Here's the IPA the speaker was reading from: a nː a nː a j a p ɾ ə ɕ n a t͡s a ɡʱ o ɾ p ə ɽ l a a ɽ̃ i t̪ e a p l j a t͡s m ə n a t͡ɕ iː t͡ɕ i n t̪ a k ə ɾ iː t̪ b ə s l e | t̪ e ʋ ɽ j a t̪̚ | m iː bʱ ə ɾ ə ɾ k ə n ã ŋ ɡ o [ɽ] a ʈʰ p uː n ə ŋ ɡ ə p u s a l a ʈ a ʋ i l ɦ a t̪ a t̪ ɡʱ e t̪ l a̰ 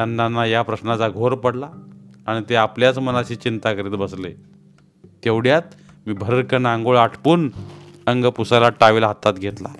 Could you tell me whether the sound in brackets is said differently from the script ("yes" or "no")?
yes